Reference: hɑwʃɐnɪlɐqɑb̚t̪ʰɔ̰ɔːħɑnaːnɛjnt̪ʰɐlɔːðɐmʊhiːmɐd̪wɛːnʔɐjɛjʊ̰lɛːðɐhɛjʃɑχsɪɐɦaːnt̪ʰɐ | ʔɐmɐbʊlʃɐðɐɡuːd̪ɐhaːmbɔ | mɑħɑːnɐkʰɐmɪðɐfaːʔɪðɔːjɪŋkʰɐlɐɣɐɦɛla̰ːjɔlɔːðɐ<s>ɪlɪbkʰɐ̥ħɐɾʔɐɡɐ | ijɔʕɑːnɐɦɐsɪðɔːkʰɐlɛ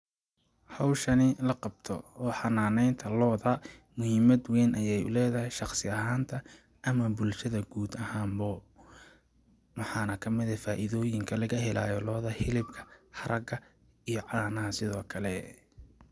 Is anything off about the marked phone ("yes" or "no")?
yes